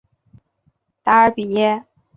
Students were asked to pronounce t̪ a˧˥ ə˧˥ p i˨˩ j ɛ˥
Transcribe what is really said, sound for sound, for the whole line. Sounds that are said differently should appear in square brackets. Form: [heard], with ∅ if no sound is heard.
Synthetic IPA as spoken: t̪ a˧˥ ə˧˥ p i˨˩ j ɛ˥